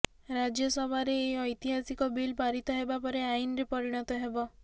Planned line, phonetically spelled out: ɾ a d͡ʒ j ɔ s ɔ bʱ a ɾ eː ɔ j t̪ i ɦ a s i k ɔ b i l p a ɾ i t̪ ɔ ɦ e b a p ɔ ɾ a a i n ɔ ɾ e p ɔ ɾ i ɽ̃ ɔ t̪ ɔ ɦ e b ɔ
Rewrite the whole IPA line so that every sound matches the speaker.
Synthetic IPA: ɾ a d͡ʒ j ɔ s ɔ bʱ a ɾ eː ɔ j t̪ i ɦ a s i k ɔ b i l p a ɾ i t̪ ɔ ɦ e b a p ɔ ɾ e a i n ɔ ɾ e p ɔ ɾ i ɽ̃ ɔ t̪ ɔ ɦ e b ɔ